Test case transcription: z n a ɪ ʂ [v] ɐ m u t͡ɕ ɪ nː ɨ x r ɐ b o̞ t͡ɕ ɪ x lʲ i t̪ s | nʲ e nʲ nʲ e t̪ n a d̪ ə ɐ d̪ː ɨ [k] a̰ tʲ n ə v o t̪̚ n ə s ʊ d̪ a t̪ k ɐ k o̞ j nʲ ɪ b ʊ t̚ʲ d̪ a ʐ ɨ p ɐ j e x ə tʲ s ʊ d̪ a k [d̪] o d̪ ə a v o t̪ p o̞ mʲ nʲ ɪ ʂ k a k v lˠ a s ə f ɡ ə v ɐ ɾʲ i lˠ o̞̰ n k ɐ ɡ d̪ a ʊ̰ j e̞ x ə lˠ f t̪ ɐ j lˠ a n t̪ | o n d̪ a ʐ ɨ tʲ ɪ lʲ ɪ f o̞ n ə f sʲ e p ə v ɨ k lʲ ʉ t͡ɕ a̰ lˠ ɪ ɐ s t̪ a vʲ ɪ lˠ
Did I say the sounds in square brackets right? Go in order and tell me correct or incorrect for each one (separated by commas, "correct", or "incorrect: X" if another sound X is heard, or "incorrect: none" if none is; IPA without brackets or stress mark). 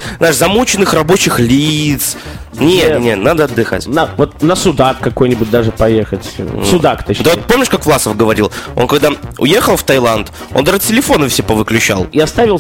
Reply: incorrect: z, incorrect: x, incorrect: t̪